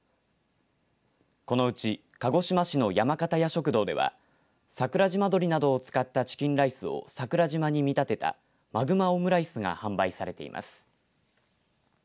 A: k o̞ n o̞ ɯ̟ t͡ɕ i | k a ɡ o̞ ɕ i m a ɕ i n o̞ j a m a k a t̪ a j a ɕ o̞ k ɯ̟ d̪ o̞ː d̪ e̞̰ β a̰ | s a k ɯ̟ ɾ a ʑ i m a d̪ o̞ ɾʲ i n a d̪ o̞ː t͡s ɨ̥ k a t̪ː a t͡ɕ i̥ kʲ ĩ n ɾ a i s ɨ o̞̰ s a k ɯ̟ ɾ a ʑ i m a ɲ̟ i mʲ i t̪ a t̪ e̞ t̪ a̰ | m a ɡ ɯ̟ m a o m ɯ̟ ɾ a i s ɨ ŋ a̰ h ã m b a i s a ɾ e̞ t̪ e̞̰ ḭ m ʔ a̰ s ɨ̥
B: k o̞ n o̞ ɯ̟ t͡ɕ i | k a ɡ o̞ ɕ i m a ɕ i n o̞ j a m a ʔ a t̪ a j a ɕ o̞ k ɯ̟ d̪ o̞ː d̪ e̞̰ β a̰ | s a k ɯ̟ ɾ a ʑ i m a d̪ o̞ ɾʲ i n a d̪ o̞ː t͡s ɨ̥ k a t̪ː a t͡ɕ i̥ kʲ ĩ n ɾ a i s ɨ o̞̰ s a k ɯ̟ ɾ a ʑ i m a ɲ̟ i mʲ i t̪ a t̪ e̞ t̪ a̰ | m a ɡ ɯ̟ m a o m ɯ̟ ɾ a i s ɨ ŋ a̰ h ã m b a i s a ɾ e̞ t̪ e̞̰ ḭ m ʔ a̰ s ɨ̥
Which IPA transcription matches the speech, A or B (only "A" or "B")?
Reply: A